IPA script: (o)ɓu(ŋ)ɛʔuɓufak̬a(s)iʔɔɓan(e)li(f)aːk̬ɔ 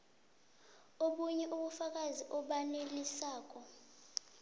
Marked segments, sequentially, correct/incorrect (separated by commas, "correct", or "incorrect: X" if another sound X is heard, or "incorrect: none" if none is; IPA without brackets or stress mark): correct, incorrect: ɲ, incorrect: z, correct, incorrect: s